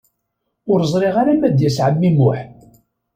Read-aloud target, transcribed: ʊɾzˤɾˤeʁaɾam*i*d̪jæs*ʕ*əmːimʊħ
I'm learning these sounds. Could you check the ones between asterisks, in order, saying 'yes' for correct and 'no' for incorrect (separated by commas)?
no, yes